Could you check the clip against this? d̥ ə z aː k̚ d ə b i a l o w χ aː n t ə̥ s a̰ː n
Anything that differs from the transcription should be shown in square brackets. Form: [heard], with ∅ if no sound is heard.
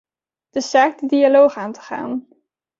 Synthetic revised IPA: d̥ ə [s] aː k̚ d ə [d] i a l o w χ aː n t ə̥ [χ] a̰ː n